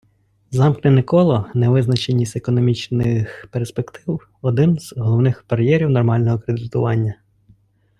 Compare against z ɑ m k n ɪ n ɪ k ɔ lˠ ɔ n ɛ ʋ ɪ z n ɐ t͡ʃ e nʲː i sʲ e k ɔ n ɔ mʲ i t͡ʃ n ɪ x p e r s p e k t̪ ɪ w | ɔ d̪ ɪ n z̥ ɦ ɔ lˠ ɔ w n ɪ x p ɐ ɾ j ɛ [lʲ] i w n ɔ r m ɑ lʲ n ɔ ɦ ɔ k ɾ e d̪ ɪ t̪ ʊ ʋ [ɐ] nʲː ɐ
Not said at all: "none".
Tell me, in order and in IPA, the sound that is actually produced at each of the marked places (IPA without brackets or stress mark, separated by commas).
ɾʲ, ɑ